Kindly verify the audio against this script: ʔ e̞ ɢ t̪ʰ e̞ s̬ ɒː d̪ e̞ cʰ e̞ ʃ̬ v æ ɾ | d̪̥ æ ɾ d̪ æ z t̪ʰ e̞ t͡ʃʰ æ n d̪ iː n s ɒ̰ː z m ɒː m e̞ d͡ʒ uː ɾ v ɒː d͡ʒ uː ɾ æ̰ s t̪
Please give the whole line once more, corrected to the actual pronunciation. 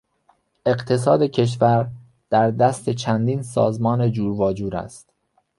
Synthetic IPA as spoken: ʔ e̞ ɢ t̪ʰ e̞ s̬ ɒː d̪ e̞ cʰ e̞ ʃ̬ v æ ɾ | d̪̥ æ ɾ d̪ æ s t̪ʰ e̞ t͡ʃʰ æ n d̪ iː n s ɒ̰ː z m ɒː n e̞ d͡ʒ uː ɾ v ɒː d͡ʒ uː ɾ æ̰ s t̪